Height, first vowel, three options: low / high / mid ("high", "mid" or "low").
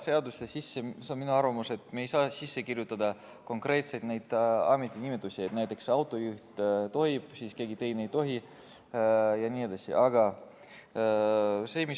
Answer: mid